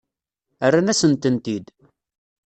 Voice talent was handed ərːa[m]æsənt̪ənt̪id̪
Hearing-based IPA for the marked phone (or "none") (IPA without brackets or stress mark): n